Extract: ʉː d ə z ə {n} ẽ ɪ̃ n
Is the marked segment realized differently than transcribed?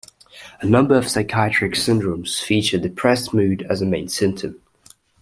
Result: yes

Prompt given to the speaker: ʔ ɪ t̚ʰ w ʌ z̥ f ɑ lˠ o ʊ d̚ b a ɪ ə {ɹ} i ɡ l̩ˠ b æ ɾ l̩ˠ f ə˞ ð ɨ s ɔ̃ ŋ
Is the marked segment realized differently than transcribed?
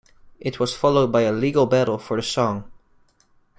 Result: yes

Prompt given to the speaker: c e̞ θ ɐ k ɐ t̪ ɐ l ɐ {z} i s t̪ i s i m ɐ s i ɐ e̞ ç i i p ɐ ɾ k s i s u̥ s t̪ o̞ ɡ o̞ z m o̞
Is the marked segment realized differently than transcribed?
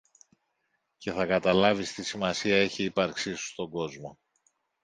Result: yes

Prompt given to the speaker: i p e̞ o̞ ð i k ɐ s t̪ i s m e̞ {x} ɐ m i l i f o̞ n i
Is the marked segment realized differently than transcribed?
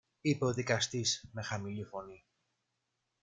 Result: no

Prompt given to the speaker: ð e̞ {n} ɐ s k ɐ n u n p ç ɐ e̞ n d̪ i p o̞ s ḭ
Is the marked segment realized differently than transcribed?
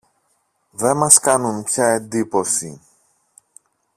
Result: yes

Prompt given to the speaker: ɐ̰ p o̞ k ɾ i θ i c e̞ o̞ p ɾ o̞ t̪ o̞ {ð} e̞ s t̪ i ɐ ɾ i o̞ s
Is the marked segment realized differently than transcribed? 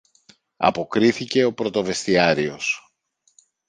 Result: yes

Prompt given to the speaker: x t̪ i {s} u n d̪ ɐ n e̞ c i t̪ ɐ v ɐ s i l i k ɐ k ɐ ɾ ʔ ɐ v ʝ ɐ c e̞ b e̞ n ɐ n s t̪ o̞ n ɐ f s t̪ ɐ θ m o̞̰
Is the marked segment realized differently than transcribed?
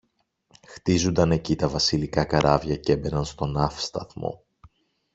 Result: yes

